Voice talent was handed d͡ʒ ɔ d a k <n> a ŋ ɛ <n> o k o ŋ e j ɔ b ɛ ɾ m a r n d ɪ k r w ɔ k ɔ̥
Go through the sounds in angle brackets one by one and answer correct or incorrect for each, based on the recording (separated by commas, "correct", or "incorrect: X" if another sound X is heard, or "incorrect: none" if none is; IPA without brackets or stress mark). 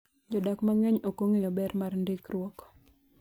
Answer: incorrect: m, incorrect: ɲ